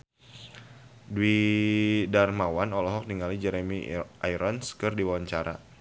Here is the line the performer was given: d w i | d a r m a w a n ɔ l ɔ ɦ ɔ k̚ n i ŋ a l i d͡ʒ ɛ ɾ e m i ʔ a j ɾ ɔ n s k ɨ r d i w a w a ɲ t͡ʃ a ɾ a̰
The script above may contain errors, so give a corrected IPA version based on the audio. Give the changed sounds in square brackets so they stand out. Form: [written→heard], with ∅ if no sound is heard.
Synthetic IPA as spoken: d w i | d a r m a w a n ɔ l ɔ ɦ ɔ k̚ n i ŋ a l i d͡ʒ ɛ ɾ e m i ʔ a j ɾ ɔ n s k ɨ r d i w a w a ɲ t͡ʃ a ɾ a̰